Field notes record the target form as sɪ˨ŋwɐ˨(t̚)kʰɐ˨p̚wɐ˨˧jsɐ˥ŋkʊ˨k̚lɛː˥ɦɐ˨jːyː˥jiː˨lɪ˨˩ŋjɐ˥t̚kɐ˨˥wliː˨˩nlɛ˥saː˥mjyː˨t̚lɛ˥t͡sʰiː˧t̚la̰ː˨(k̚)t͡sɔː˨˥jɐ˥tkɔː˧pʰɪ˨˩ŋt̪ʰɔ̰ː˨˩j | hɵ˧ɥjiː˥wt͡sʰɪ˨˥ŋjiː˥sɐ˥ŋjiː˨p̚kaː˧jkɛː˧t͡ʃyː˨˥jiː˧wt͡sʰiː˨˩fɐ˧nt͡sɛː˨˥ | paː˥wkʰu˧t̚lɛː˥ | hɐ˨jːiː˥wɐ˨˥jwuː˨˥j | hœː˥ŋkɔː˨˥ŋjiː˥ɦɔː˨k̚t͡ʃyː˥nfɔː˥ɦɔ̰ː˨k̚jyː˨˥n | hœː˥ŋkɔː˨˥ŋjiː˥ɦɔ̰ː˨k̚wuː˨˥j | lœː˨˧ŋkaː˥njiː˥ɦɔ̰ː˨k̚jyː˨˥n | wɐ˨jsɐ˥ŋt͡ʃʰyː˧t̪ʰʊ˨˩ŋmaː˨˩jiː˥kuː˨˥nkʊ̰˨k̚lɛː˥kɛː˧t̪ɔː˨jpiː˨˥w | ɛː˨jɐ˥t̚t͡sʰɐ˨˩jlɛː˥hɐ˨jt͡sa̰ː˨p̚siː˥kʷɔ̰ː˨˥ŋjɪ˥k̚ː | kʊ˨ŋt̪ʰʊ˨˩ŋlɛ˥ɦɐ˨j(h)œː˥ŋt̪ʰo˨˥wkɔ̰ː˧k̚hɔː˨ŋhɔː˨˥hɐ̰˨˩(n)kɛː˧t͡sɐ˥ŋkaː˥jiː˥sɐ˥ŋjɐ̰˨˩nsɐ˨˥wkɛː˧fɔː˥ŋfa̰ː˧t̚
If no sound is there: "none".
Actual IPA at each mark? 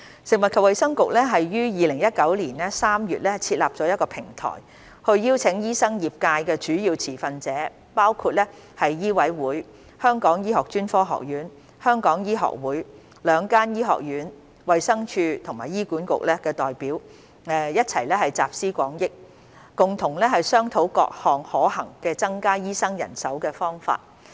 t̚, p̚, s, ŋ

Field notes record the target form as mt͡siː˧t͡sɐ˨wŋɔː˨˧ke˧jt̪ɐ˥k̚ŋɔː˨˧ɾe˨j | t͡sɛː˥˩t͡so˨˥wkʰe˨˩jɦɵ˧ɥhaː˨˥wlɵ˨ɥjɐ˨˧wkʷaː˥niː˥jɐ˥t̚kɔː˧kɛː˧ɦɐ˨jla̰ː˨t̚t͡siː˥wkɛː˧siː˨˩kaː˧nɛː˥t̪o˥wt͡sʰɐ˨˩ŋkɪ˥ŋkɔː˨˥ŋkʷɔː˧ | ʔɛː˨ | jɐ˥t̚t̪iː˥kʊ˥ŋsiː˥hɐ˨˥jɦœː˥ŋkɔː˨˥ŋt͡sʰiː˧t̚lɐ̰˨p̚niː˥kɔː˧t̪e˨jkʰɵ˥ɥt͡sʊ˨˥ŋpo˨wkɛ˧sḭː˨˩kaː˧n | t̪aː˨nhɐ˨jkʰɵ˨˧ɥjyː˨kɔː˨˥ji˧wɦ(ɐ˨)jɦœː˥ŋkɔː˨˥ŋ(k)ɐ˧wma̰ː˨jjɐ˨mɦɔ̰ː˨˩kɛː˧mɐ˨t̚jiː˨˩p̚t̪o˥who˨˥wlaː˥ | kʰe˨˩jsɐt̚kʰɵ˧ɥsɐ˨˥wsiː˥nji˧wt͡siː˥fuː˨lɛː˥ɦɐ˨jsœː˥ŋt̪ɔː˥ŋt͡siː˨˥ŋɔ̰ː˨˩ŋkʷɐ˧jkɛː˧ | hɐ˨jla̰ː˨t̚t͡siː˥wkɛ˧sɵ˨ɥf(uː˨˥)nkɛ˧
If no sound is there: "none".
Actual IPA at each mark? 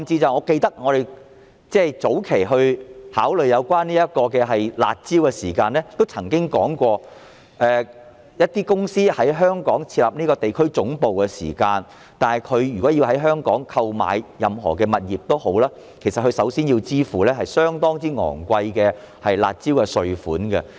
ɐ˨˥, kʰ, uː˨˥

